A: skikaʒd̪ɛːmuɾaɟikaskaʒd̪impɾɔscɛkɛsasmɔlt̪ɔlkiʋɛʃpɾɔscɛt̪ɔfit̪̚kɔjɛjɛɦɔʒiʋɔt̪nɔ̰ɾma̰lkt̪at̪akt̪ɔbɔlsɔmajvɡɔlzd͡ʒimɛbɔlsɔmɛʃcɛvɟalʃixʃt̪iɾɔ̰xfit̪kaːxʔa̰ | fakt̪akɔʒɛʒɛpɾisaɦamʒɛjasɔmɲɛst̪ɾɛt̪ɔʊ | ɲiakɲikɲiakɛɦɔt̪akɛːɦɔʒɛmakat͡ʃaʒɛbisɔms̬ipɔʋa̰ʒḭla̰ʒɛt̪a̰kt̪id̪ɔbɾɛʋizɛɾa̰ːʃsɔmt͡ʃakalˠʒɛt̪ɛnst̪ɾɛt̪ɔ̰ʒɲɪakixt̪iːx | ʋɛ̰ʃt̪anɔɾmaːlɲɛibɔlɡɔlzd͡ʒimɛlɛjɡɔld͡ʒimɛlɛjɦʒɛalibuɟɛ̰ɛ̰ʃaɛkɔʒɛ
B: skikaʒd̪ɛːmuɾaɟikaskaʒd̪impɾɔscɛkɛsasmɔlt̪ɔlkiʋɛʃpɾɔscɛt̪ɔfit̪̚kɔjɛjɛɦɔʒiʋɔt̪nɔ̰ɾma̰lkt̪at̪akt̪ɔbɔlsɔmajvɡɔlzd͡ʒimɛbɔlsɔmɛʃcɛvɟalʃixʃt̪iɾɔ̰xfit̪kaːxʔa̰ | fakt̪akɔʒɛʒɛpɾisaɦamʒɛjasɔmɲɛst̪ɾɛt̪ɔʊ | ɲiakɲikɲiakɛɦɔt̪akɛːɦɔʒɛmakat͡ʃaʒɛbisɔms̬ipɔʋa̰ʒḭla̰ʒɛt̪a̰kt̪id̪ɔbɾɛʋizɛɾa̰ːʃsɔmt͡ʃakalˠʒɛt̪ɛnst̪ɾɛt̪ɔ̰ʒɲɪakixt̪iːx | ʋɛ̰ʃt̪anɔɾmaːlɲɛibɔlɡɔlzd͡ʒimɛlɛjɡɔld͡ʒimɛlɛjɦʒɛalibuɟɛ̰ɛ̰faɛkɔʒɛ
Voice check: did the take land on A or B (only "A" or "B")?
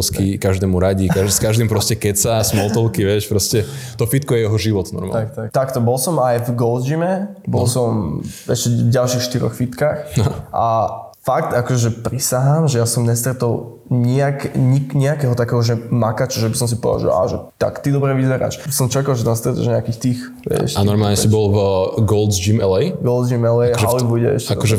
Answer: A